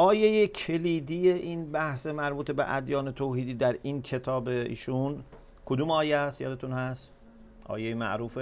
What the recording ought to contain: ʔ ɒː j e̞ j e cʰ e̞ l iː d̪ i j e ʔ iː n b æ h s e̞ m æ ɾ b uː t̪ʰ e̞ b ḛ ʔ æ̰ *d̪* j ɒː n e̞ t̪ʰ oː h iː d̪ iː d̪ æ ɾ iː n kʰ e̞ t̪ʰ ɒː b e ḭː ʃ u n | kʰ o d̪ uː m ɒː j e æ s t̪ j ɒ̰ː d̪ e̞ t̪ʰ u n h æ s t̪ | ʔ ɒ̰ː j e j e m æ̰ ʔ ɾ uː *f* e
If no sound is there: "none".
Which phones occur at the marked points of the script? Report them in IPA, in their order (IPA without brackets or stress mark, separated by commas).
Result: d̪, f